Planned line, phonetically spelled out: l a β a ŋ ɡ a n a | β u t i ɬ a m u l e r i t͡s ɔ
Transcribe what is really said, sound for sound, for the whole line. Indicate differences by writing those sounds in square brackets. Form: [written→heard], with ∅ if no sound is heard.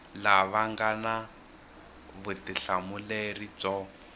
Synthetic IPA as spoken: l a β a ŋ ɡ a n a | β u t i ɬ a m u l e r i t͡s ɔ